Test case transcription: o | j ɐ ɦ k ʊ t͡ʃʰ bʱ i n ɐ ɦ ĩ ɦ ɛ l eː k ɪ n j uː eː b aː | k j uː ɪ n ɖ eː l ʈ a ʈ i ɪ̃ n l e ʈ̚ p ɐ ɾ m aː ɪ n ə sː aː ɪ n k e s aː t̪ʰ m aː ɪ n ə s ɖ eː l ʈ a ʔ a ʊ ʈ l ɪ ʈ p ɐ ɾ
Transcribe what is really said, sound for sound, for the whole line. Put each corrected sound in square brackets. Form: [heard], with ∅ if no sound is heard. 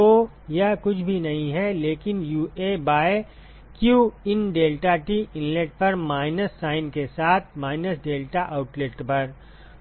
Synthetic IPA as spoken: o | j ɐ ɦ k ʊ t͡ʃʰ bʱ i n ɐ ɦ ĩ ɦ ɛ l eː k ɪ n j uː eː b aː | k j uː ɪ n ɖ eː l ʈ a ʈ i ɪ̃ n l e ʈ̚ p ɐ ɾ m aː ɪ n ə sː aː ɪ n k e s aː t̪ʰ m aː ɪ n ə s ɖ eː l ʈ a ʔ a ʊ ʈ l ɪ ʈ p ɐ ɾ